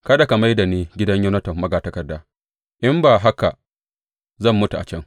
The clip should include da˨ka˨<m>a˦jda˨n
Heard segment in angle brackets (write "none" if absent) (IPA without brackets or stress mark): m